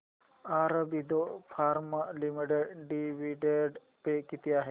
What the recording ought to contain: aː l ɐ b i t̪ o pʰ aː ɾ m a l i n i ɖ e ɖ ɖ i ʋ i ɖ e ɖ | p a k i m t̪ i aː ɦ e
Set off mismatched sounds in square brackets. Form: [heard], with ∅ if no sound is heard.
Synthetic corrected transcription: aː [ɾ] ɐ b i [d̪] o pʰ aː ɾ m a l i [m] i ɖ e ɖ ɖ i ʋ i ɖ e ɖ | p [e] k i [∅] t̪ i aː ɦ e